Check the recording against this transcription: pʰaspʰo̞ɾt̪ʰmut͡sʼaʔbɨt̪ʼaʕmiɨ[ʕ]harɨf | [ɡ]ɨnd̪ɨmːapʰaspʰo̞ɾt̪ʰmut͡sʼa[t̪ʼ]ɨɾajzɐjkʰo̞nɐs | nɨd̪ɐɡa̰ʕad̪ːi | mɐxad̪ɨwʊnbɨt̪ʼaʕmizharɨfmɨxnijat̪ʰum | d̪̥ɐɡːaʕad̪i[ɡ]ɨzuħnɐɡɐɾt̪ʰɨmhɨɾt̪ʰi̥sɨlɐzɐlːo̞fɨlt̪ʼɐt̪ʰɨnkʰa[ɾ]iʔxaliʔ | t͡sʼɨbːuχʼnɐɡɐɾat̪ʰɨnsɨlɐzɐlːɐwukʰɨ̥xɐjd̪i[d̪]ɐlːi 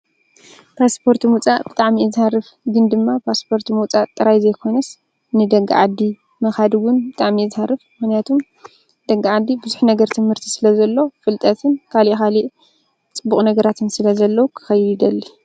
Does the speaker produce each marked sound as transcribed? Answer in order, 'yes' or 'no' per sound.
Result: no, yes, yes, no, no, yes

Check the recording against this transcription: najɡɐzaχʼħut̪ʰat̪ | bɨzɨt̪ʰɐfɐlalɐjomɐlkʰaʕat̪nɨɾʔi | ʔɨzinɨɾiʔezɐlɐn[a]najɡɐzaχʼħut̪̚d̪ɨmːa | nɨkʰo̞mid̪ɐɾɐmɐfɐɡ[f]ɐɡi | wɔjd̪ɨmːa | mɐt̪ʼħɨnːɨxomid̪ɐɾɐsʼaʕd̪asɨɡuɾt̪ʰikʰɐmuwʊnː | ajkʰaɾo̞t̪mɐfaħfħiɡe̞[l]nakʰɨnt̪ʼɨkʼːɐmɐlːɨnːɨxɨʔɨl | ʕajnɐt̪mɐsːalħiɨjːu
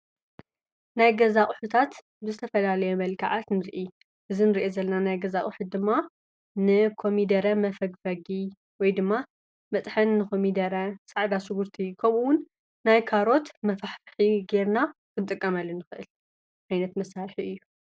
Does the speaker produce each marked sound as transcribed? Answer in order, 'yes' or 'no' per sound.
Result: yes, yes, no

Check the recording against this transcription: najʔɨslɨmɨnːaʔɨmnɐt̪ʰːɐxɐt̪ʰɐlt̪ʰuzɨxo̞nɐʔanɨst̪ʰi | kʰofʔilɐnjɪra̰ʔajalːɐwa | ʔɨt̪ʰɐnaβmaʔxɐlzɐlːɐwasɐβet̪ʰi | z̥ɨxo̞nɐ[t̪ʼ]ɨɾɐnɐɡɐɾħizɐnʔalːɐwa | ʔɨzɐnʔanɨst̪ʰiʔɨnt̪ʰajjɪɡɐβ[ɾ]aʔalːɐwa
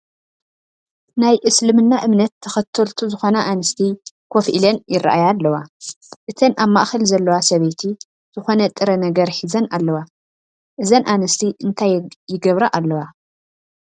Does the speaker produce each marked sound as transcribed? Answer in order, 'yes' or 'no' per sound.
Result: yes, yes

